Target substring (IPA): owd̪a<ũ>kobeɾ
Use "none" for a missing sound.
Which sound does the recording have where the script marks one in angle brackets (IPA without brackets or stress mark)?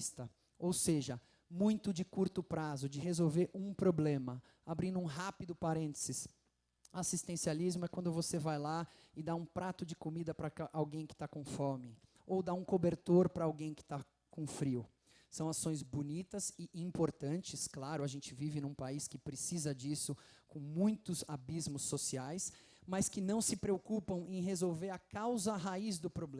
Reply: ũ